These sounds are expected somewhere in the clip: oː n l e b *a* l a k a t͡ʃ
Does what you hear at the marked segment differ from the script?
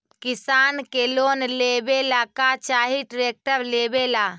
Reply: yes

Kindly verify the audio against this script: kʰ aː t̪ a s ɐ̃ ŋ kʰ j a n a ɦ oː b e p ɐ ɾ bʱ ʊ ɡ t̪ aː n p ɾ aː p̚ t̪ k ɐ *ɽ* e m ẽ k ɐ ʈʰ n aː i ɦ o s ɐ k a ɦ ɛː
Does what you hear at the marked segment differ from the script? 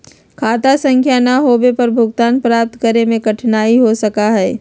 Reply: yes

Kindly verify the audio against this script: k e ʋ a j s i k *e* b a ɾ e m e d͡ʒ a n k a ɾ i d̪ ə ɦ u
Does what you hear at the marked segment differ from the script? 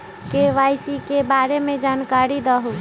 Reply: no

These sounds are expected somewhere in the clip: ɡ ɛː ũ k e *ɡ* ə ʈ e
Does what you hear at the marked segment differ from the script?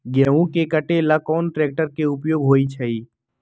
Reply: yes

